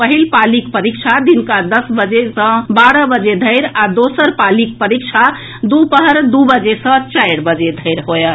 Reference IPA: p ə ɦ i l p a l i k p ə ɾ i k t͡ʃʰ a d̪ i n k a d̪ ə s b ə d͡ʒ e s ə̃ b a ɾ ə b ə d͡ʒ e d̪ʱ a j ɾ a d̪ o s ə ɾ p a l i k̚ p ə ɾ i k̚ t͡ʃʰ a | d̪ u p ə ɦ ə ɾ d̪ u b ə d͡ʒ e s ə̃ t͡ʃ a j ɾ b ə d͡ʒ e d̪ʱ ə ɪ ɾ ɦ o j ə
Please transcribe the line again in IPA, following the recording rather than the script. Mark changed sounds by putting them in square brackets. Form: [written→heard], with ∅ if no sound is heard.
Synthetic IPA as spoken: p ə ɦ i l p a l i k p ə ɾ i k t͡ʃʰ a d̪ i n k a d̪ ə s b ə d͡ʒ e s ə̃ b a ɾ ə b ə d͡ʒ e d̪ʱ [a→ə] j ɾ a d̪ o s ə ɾ p a l i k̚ p ə ɾ i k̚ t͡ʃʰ a | d̪ u p ə ɦ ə ɾ d̪ u b ə d͡ʒ e s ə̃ t͡ʃ a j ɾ b ə d͡ʒ e d̪ʱ ə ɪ ɾ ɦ o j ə